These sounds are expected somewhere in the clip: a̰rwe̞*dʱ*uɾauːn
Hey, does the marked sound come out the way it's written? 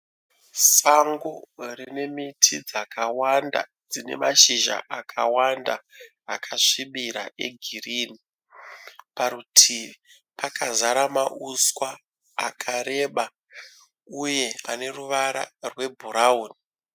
no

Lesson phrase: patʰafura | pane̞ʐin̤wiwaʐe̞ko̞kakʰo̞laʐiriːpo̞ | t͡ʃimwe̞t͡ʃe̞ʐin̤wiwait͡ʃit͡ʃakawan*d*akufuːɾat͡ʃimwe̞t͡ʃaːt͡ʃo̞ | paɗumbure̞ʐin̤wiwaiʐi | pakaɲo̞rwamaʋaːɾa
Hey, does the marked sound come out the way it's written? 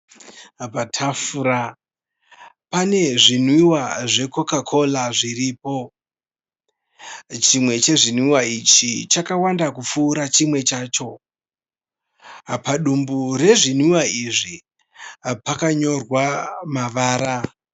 yes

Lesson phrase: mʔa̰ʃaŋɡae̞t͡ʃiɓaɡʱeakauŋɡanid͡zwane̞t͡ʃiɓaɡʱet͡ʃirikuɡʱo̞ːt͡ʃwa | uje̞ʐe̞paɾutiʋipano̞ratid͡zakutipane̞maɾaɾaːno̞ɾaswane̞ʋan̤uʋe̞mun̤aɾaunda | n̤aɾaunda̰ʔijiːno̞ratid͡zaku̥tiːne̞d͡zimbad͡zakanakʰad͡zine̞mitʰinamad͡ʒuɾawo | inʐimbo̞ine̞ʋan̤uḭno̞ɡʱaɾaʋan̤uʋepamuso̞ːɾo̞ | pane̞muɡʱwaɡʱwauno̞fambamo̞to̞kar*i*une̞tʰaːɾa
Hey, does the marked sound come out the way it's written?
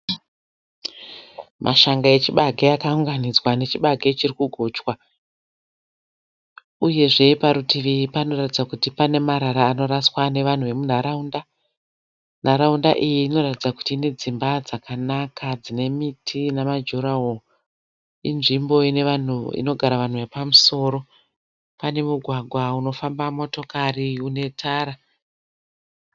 yes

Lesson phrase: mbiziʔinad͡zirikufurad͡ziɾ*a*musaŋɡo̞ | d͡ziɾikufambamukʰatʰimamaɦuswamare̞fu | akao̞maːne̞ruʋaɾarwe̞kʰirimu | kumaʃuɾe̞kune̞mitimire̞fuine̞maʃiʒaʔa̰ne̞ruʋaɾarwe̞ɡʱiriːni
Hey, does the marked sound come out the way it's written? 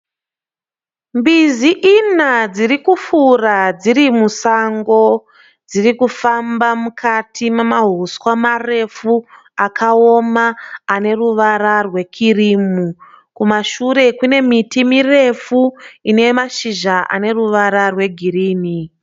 no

